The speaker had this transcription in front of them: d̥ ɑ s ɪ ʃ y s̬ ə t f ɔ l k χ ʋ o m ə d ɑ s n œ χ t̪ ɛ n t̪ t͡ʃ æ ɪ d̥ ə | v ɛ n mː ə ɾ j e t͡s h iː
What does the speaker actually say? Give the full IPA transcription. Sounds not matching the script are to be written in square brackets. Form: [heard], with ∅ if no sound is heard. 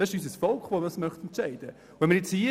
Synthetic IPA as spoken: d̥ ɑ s ɪ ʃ y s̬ ə [s] f ɔ l k χ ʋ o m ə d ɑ s [m] œ χ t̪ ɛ n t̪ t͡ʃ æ ɪ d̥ ə | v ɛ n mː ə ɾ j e t͡s h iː